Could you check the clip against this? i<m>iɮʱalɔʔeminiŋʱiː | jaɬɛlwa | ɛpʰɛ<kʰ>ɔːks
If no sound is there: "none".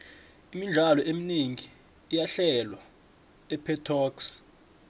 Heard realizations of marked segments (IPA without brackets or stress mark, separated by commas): m, tʰ